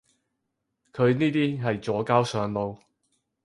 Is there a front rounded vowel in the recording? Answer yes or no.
yes